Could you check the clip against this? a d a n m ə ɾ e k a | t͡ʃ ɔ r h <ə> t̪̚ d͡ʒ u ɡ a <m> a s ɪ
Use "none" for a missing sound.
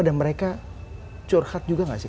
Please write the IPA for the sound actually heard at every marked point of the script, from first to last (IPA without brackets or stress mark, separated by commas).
a, ŋ